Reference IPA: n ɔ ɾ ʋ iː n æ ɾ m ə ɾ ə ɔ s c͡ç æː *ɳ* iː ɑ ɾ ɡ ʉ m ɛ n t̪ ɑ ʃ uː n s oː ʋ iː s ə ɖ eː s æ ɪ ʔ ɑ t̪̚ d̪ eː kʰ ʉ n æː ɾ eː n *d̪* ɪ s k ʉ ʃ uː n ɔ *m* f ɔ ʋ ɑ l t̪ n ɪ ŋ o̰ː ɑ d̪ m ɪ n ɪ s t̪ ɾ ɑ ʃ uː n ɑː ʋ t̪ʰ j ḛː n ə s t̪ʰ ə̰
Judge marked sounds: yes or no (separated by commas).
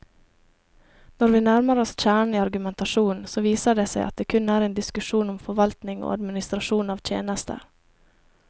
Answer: yes, yes, yes